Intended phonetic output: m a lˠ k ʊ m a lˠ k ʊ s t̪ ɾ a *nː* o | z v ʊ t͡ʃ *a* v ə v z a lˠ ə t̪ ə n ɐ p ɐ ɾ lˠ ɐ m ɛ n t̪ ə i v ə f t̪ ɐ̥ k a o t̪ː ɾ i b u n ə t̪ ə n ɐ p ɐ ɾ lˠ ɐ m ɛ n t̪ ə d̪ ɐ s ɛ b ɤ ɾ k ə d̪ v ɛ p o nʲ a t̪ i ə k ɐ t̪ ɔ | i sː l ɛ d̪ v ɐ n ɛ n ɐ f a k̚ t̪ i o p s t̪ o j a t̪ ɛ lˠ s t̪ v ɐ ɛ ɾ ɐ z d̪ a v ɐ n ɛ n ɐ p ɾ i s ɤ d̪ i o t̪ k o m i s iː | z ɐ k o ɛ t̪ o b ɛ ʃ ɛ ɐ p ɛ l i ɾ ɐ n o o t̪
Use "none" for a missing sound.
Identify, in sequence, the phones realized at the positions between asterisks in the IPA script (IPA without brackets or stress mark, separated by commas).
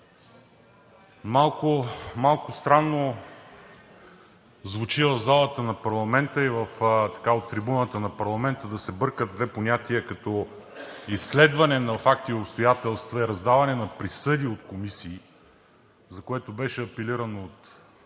nː, i